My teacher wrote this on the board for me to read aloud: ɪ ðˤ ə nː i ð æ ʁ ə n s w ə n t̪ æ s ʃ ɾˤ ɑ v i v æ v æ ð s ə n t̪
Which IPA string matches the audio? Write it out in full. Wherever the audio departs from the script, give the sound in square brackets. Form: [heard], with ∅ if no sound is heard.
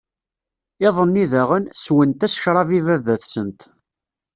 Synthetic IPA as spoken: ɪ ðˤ ə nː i ð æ ʁ ə n s w ə n t̪ æ s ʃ ɾˤ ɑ v i v æ v æ [θ] s ə n t̪